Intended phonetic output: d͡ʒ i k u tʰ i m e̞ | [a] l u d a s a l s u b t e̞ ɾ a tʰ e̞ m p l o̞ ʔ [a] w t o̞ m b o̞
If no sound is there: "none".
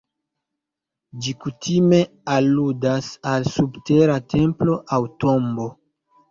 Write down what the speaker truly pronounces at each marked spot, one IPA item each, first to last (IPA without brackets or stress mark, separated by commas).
a, a